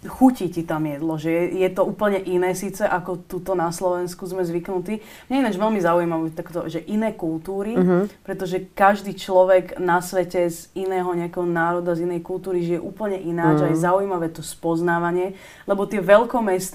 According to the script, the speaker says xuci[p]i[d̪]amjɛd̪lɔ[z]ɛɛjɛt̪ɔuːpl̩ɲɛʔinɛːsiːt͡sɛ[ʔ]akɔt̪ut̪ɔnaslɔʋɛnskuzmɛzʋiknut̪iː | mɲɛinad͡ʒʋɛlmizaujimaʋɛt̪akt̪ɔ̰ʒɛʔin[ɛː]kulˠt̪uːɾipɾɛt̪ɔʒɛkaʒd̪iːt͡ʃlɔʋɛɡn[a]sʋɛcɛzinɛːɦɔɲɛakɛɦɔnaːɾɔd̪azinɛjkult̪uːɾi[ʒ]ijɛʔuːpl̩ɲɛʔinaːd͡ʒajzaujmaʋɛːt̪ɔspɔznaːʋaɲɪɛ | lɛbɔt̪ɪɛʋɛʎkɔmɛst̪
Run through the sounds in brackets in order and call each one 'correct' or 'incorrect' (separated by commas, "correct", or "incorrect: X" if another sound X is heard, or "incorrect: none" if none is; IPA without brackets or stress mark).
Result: incorrect: c, incorrect: t̪, incorrect: ʒ, correct, correct, correct, correct